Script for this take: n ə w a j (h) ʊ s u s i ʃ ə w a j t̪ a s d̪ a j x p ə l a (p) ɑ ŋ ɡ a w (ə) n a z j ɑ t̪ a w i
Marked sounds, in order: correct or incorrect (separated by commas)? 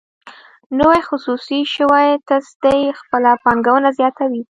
incorrect, correct, correct